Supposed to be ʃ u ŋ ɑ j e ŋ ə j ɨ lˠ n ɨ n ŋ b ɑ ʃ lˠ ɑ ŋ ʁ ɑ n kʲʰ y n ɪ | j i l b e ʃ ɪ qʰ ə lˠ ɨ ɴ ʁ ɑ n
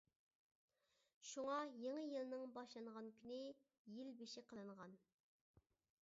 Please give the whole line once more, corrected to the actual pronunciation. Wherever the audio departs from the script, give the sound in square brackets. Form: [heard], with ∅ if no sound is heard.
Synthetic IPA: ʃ u ŋ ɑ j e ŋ ə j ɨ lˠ n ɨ [∅] ŋ b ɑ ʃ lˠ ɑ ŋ ʁ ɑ n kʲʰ y n ɪ | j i l b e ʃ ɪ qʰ ə lˠ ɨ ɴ ʁ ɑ n